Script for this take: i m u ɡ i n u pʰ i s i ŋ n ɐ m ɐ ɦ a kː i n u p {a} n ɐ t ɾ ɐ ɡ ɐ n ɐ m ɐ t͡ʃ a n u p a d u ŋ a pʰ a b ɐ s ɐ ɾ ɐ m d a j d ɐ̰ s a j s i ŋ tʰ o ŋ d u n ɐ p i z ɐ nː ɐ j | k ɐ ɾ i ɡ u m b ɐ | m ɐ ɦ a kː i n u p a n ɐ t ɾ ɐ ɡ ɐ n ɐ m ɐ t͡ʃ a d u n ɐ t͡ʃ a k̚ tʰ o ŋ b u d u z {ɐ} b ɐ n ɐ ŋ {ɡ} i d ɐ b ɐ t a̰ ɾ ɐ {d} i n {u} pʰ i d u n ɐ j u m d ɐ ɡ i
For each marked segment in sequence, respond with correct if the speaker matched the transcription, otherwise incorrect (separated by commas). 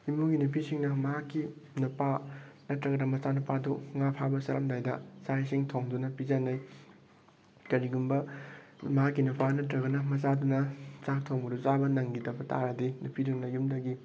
correct, incorrect, correct, correct, correct